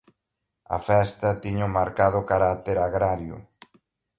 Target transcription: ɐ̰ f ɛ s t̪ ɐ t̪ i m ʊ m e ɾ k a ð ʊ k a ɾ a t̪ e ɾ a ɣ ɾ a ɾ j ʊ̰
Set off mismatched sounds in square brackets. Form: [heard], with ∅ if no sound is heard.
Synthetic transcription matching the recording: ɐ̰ f ɛ s t̪ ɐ t̪ i [ɲ] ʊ m [a] ɾ k a ð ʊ k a ɾ a t̪ e ɾ a ɣ ɾ a ɾ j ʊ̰